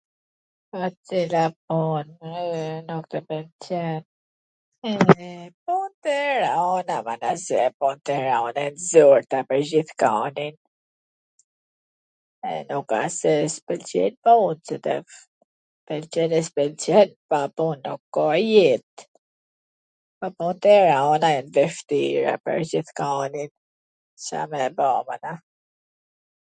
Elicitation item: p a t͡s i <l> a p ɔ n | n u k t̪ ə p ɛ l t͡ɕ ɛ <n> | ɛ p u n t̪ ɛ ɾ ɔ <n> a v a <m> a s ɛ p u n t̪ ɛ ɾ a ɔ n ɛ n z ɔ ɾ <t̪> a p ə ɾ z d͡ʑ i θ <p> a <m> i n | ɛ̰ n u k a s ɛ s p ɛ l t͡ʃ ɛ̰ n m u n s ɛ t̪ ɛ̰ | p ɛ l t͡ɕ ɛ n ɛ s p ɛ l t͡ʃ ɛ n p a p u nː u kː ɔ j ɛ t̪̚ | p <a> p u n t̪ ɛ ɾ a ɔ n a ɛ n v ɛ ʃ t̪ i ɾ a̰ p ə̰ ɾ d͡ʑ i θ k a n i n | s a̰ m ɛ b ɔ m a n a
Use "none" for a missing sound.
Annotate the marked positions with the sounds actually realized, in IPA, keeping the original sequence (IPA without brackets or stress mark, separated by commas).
l, n, n, n, t̪, k, n, a